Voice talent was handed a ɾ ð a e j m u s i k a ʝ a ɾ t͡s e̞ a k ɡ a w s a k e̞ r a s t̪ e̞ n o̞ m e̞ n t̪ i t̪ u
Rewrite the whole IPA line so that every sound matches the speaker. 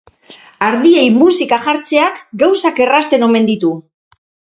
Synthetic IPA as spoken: a ɾ ð i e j m u s i k a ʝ a ɾ t͡s e̞ a k ɡ a w s a k e̞ r a s t̪ e̞ n o̞ m e̞ n d̪ i t̪ u